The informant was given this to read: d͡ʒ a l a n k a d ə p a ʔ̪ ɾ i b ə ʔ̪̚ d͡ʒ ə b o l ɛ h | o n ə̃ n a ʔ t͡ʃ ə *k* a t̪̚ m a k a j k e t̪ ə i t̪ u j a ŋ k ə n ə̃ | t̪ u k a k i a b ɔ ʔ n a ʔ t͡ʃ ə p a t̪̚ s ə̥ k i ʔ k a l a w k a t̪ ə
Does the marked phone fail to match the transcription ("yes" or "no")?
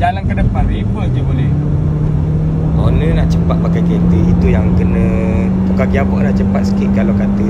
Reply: yes